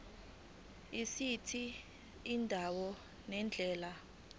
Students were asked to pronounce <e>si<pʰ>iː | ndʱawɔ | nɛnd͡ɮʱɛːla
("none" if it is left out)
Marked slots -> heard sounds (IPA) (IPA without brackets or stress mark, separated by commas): i, tʰ